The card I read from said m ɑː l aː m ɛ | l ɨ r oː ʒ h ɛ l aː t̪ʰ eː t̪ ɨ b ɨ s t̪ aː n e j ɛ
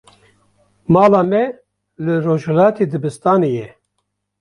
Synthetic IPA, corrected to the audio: m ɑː l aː m ɛ | l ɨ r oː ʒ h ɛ l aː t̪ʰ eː d̪ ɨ b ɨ s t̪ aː n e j ɛ